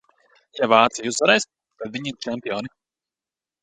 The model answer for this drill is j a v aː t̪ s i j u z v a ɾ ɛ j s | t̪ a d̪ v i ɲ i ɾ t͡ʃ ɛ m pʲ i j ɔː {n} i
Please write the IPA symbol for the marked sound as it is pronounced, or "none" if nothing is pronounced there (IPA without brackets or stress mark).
n